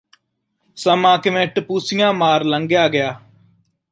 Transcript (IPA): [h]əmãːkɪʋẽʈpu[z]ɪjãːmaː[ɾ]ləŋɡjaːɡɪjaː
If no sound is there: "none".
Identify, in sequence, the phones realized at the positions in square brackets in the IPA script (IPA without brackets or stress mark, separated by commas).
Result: s, s, ɾ